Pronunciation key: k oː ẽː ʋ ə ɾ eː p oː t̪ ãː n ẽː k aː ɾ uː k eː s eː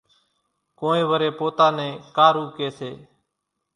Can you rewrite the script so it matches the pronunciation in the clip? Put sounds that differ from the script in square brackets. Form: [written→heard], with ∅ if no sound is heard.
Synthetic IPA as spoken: k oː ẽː ʋ ə ɾ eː p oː t̪ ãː n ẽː k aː ɾ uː k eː s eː